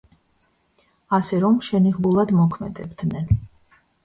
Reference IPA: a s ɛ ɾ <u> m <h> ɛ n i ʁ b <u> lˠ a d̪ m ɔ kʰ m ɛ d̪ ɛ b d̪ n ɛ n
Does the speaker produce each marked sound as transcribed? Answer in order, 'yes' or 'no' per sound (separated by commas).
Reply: no, no, yes